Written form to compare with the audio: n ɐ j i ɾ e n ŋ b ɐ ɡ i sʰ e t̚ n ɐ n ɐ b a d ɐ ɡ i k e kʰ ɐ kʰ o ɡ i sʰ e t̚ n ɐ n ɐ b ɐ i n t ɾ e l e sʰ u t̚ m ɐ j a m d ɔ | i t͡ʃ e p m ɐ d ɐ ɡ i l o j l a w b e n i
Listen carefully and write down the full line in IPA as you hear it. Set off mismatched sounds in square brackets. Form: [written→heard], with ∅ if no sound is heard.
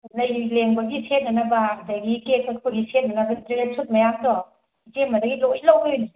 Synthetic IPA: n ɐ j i [ɾ→l] e [n→∅] ŋ b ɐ ɡ i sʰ e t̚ n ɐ n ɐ b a d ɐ ɡ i k e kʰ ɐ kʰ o ɡ i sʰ e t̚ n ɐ n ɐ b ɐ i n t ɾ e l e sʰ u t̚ m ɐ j a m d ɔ | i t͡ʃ e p m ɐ d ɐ ɡ i l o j l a w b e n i